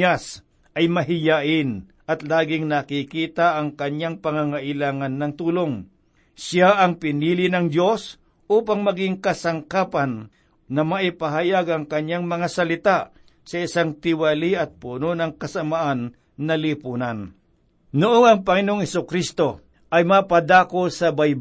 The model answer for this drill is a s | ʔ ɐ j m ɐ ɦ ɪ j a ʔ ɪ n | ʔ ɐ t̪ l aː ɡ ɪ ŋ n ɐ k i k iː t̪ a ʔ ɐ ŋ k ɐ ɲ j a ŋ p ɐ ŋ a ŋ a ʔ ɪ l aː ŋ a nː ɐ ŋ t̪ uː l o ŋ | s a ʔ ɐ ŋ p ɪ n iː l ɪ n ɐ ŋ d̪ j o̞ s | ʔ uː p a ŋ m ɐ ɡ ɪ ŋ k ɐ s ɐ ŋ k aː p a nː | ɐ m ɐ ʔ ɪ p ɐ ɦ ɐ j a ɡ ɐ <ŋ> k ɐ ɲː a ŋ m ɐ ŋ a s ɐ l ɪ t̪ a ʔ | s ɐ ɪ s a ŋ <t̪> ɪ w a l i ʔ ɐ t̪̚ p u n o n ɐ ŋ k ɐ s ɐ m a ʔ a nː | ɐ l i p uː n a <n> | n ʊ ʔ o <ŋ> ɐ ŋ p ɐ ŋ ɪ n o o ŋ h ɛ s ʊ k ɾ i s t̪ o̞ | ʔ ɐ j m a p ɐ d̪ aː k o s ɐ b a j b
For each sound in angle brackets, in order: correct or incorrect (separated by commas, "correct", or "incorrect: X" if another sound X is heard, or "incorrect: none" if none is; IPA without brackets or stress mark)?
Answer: correct, correct, correct, correct